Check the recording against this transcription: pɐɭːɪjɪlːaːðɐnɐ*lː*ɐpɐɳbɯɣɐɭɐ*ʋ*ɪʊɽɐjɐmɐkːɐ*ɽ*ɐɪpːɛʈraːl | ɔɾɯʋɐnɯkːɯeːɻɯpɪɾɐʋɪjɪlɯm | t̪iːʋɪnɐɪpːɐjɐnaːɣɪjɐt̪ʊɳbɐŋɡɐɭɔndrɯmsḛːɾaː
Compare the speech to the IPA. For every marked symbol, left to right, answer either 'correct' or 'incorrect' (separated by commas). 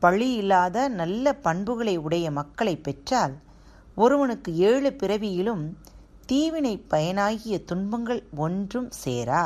correct, incorrect, incorrect